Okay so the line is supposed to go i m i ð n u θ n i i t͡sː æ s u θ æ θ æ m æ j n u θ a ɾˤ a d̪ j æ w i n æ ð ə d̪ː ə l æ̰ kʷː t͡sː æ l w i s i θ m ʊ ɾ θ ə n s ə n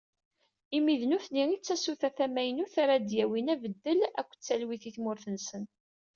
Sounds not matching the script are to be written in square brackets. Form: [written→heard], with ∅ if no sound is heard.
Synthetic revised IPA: i m i ð n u θ n i i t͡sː æ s u θ æ θ æ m æ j n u θ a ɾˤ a d̪ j æ w i n æ [ð→v] ə d̪ː ə l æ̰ kʷː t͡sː æ l w i [s→θ] i θ m ʊ ɾ θ ə n s ə n